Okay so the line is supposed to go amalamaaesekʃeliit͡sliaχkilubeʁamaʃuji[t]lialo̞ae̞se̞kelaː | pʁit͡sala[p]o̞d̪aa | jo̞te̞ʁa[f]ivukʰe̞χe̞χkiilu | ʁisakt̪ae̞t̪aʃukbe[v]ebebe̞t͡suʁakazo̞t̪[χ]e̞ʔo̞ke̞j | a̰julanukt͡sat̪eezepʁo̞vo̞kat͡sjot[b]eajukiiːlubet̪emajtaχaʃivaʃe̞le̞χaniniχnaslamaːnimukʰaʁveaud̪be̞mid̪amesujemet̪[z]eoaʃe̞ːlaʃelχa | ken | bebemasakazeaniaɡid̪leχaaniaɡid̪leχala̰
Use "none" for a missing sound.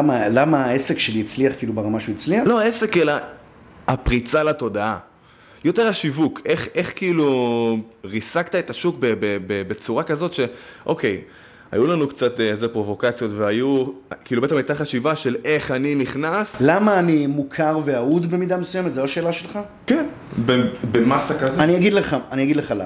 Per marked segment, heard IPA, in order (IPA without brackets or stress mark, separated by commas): t͡s, t, ʃ, b, ʃ, v, z